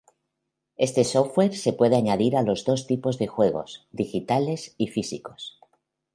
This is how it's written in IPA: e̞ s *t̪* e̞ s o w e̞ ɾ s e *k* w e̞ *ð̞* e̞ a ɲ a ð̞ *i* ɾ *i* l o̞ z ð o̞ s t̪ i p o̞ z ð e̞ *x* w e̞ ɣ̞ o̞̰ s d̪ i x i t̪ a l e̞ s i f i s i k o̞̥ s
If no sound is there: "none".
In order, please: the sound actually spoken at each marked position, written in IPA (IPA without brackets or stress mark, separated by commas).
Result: t̪, p, ð̞, i, a, x